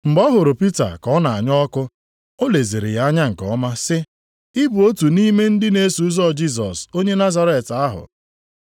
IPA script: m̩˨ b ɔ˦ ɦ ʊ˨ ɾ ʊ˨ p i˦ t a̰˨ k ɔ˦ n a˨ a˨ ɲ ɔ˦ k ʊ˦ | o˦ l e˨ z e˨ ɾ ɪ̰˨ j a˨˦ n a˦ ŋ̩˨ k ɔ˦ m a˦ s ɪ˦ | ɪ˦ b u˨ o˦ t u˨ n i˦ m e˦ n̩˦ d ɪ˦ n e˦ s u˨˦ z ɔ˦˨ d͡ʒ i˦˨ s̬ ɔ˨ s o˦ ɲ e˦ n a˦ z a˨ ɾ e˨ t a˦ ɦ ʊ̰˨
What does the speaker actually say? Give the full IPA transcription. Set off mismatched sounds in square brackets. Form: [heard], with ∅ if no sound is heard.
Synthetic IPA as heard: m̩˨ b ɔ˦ ɦ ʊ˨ ɾ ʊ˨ p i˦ t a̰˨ k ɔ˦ n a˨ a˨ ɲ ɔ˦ k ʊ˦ | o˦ l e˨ z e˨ ɾ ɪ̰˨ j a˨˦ [ɲ] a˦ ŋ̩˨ k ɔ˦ m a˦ s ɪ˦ | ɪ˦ b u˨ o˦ t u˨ n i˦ m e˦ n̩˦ d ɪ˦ n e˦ s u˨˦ z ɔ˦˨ d͡ʒ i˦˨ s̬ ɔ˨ s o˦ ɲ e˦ n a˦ z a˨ ɾ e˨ t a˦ ɦ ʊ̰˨